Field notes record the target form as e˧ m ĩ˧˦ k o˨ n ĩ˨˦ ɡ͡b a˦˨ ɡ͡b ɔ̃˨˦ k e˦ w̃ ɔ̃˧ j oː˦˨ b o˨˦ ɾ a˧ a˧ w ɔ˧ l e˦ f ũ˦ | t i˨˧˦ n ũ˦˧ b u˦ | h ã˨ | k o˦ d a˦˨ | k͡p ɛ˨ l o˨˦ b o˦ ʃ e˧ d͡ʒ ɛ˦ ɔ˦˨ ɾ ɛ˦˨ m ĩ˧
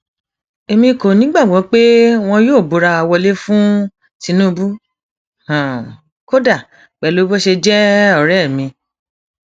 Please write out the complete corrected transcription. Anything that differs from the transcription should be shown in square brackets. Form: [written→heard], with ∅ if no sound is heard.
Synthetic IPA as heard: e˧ m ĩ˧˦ k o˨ n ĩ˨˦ ɡ͡b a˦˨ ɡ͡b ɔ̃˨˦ [k→k͡p] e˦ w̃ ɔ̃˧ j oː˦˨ b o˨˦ ɾ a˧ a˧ w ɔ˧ l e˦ f ũ˦ | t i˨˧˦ n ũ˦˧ b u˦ | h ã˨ | k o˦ d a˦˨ | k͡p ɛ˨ l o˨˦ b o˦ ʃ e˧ d͡ʒ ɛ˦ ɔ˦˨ ɾ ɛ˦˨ m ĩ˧